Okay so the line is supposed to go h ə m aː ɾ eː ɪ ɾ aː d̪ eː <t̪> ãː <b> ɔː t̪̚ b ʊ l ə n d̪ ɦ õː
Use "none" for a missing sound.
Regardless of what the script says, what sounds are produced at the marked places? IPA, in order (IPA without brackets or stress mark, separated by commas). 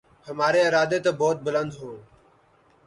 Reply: t̪, b